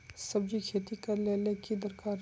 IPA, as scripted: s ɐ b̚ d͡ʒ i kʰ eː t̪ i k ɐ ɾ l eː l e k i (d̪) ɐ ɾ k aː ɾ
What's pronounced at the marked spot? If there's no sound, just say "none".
d̪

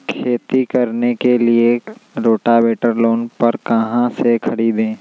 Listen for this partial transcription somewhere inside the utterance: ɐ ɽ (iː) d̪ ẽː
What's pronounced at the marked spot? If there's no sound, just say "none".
iː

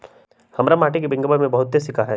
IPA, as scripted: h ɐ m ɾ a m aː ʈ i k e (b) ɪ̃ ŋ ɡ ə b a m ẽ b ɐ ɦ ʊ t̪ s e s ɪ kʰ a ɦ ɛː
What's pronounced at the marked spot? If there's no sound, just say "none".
b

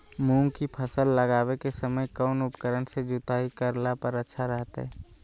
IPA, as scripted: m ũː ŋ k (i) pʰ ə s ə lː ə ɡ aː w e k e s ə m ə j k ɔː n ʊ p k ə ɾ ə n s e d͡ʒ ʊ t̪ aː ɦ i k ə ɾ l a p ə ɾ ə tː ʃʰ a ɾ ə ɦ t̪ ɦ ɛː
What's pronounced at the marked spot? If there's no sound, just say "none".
i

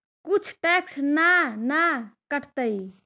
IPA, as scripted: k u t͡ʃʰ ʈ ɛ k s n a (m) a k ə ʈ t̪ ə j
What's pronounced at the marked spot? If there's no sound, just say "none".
n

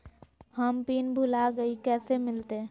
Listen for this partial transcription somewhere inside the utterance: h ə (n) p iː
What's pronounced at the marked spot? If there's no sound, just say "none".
m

